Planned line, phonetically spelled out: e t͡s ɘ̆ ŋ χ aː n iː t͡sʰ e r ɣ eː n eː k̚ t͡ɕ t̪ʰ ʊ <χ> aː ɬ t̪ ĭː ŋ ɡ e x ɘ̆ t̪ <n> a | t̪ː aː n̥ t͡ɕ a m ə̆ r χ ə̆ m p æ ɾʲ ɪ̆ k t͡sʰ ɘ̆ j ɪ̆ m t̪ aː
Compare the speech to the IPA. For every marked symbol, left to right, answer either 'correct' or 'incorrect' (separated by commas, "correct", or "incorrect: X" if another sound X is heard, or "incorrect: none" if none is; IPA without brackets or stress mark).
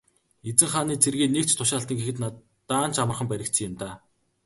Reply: incorrect: ʃ, correct